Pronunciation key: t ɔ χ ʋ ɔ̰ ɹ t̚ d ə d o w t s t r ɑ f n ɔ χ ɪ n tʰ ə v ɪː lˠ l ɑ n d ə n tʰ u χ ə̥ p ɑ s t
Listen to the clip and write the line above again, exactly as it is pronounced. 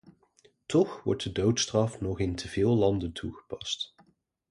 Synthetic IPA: t ɔ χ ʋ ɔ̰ ɹ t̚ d ə d o w t s t r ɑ f n ɔ χ ɪ n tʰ ə v ɪː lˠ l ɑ n d ə n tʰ u χ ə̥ p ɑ s t